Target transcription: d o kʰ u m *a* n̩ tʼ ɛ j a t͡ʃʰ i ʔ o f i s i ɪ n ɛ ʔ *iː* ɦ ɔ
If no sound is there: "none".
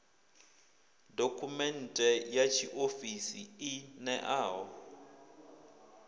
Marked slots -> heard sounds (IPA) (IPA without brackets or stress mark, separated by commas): ɛ, aː